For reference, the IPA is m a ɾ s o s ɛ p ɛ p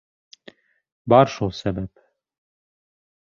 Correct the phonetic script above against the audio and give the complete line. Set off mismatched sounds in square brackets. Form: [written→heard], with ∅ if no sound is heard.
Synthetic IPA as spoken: [m→b] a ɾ [s→ʃ] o s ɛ [p→b] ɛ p